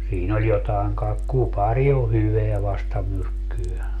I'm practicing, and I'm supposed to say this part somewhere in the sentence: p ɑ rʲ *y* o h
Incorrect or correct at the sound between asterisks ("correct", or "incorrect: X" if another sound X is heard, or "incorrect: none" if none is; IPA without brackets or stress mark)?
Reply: incorrect: i